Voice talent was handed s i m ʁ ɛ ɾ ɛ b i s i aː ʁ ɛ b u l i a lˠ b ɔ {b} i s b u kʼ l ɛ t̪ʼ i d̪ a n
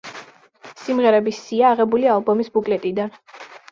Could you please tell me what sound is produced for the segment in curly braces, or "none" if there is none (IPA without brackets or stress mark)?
m